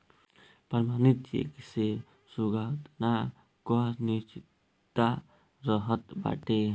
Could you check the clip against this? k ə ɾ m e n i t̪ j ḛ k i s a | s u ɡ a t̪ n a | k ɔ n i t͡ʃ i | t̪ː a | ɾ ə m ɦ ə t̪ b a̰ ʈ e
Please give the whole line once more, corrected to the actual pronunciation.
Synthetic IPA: p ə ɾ m a n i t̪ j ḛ k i s e | s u ɡ a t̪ n a | k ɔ n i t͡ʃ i | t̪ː a | ɾ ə ɦ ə t̪ b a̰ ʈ e